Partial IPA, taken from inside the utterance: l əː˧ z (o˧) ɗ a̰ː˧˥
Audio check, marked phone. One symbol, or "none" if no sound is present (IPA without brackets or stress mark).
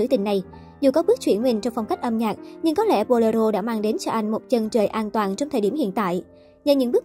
o˧